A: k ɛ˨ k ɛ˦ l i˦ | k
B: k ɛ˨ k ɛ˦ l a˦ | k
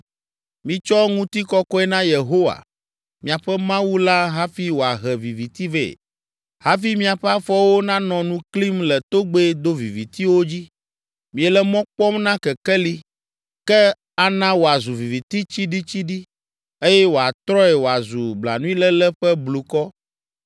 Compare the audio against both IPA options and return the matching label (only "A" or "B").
A